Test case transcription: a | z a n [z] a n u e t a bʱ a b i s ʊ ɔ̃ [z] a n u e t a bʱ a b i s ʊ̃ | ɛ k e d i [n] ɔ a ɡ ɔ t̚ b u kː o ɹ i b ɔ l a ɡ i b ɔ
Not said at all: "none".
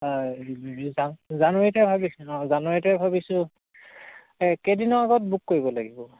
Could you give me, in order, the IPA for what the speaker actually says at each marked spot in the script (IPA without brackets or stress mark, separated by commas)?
z, z, n